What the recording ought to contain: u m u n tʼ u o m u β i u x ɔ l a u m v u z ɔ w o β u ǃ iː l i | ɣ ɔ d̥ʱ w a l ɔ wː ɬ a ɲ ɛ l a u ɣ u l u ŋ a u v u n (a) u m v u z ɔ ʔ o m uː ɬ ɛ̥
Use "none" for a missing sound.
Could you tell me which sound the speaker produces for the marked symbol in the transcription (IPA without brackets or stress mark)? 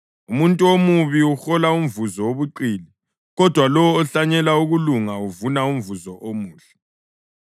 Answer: a